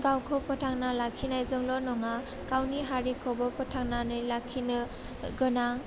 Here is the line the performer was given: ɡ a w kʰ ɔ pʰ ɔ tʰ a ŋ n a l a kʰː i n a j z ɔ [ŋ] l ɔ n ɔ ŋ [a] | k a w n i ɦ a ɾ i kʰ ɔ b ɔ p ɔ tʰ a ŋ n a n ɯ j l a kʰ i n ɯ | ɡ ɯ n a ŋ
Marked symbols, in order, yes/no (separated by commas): yes, yes